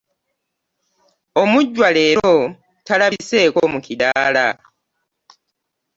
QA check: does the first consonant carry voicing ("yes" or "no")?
yes